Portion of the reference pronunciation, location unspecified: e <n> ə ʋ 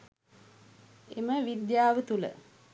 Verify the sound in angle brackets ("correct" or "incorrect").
incorrect